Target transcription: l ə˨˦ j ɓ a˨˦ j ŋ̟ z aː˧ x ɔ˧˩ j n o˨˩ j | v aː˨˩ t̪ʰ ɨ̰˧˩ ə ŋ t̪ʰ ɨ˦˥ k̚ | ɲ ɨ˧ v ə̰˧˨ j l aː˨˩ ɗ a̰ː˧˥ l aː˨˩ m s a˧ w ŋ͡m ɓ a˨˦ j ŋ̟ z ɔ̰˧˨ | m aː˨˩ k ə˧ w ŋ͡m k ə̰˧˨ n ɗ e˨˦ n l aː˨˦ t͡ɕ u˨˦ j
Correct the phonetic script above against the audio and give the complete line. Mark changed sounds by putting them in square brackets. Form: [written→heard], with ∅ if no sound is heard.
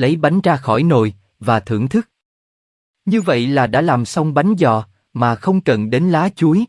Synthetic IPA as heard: l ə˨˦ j ɓ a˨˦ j ŋ̟ z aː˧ x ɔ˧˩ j n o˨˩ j | v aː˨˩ t̪ʰ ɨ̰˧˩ ə ŋ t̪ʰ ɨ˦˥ k̚ | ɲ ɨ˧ v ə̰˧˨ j l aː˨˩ ɗ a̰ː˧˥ l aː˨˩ m s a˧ w ŋ͡m ɓ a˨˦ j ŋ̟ z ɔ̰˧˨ | m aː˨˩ [k→x] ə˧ w ŋ͡m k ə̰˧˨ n ɗ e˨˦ n l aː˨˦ t͡ɕ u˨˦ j